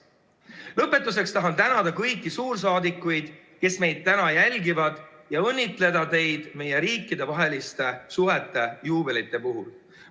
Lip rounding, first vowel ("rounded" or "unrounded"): unrounded